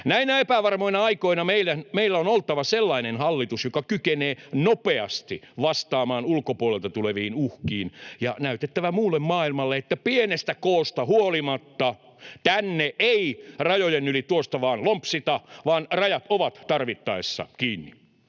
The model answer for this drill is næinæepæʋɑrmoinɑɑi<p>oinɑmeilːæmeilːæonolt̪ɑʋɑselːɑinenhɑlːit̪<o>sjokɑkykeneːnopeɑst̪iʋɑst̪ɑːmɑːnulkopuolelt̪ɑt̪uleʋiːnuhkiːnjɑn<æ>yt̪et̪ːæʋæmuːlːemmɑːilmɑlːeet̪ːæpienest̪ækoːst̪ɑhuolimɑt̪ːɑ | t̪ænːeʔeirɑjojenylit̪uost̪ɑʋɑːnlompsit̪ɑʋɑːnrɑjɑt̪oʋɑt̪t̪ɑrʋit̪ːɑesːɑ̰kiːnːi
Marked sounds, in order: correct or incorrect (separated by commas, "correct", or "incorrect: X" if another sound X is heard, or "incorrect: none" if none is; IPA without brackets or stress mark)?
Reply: incorrect: k, incorrect: u, correct